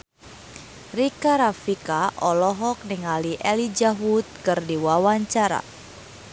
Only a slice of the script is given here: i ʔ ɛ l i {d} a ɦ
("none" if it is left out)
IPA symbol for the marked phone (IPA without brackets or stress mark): d͡ʒ